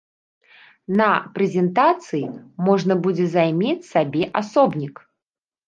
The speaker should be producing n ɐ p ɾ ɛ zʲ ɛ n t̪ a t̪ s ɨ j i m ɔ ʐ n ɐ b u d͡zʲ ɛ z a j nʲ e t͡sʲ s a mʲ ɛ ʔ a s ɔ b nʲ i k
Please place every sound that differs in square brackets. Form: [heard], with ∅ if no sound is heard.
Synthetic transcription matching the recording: n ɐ p ɾ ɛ zʲ ɛ n t̪ a t̪ s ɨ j i m ɔ ʐ n ɐ b u d͡zʲ ɛ z a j [mʲ] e t͡sʲ s a [bʲ] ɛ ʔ a s ɔ b nʲ i k